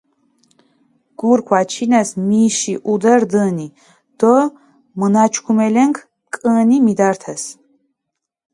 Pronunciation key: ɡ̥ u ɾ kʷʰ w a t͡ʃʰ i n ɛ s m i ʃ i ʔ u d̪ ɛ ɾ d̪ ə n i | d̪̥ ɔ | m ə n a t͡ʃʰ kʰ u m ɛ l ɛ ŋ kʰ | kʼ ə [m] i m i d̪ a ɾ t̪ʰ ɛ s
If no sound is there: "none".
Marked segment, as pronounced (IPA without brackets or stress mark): n